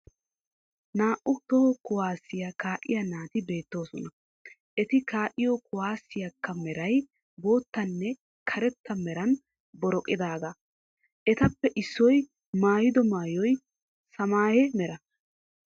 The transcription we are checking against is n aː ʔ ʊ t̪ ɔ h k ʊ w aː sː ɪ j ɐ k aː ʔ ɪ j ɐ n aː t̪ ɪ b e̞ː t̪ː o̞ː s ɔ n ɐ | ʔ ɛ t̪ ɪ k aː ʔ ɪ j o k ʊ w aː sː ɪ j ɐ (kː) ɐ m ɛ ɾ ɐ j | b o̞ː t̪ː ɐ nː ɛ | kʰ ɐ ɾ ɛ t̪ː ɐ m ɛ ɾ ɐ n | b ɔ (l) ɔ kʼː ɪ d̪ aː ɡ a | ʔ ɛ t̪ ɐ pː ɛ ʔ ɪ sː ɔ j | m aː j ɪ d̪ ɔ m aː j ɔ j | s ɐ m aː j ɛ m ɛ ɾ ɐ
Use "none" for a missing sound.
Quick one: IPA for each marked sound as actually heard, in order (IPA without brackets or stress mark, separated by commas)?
kː, ɾ